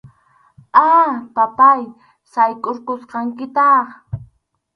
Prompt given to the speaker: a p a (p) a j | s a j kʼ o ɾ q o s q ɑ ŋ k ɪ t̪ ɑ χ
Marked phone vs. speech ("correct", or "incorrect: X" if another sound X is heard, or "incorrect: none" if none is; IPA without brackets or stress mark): correct